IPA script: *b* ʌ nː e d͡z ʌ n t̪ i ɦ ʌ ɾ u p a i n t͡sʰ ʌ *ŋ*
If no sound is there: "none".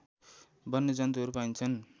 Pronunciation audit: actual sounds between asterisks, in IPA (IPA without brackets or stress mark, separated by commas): b, n